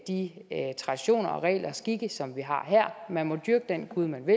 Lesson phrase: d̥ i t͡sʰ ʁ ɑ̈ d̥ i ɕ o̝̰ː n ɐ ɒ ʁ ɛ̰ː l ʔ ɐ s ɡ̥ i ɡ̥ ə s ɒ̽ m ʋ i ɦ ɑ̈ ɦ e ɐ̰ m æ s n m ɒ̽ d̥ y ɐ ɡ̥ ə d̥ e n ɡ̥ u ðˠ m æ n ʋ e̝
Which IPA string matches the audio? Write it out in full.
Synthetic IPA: d̥ i t͡sʰ ʁ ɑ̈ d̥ i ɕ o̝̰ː n ɐ ɒ ʁ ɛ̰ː l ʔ ɐ s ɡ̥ i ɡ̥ ə s ɒ̽ m ʋ i ɦ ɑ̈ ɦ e ɐ̰ m æ n m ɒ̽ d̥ y ɐ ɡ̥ ə d̥ e n ɡ̥ u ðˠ m æ n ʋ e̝